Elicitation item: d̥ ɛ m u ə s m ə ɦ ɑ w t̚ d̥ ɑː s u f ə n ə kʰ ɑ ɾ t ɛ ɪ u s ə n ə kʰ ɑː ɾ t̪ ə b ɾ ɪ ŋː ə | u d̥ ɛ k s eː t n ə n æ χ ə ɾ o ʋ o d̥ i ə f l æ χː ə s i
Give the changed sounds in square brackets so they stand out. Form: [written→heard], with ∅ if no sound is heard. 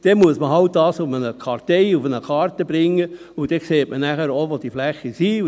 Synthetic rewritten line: d̥ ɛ m u ə s m ə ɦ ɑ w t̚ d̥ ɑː s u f ə n ə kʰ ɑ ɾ t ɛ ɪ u [s→f] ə n ə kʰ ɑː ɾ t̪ ə b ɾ ɪ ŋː ə | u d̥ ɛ k s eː t [n→m] ə n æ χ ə ɾ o ʋ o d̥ i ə f l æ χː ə s i